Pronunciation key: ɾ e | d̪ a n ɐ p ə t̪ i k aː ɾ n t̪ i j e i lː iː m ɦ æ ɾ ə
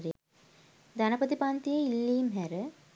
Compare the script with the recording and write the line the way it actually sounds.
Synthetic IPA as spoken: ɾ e | d̪ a n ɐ p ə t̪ i p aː n t̪ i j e i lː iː m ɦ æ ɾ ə